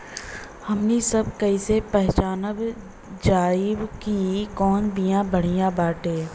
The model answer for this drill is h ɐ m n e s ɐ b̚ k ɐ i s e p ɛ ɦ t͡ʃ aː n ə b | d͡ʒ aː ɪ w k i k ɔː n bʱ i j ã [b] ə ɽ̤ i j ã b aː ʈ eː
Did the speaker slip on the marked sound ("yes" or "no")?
no